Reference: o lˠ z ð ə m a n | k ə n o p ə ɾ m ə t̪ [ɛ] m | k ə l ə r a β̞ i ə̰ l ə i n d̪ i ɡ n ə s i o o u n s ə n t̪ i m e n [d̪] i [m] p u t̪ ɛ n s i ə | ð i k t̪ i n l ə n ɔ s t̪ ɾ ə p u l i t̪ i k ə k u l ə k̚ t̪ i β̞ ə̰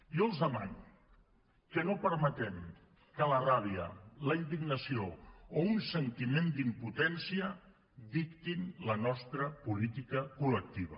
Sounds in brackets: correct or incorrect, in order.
correct, correct, correct

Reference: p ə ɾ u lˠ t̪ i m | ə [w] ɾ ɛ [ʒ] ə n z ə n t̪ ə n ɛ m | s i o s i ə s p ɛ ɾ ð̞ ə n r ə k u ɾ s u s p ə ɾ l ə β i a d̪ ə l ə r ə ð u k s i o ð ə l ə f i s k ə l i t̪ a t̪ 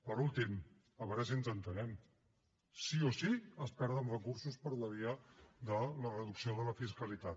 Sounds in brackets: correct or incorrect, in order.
incorrect: β, incorrect: z

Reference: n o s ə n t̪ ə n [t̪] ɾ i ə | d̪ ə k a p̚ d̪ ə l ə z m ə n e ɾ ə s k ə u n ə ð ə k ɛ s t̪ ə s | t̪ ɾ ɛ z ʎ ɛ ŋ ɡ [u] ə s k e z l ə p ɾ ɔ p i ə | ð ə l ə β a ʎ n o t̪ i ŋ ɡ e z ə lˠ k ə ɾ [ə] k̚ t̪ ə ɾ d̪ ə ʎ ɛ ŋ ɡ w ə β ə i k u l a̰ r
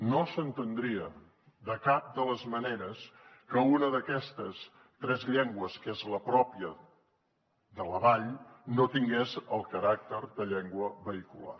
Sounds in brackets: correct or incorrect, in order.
incorrect: d̪, incorrect: w, incorrect: a

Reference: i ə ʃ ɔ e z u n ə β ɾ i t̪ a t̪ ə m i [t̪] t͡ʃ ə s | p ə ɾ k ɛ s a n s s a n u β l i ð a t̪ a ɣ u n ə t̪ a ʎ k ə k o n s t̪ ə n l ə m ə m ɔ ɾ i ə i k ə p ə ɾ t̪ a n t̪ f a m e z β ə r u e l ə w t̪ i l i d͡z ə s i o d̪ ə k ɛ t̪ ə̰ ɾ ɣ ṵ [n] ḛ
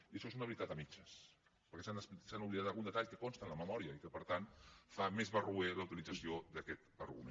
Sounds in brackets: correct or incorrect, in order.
incorrect: none, incorrect: m

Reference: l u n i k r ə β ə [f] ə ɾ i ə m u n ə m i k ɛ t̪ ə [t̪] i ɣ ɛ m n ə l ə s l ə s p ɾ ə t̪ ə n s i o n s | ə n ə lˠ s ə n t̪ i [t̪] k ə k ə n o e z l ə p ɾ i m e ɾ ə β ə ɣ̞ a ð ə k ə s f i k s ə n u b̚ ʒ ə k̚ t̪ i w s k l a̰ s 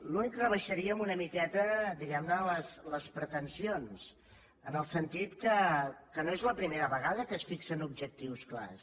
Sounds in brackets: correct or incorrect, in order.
incorrect: ʃ, incorrect: d̪, correct

